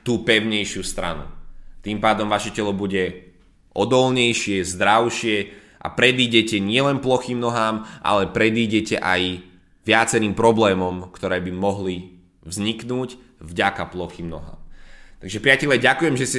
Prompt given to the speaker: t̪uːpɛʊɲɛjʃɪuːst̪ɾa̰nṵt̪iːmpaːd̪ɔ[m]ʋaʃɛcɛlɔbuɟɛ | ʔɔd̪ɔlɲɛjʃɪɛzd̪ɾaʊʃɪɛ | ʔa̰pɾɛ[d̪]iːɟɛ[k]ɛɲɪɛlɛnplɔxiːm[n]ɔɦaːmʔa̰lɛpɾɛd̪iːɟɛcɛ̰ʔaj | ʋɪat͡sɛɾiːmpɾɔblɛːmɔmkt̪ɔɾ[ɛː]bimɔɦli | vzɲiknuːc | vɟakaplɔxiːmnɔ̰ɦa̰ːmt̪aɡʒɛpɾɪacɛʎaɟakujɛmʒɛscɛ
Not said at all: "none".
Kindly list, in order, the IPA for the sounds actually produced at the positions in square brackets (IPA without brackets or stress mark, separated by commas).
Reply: m, d̪, c, n, ɛː